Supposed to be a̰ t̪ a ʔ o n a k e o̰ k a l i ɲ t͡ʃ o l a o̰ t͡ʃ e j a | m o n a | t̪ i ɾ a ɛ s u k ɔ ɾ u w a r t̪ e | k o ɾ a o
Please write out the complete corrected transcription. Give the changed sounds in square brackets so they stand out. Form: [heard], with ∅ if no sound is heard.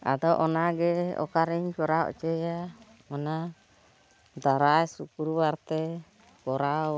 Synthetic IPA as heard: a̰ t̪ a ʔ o n a [ɡ] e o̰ k a [ɾ] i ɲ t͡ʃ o [ɾ] a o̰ t͡ʃ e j a | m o n a | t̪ [a] ɾ a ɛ s u k [u] ɾ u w a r t̪ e | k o ɾ a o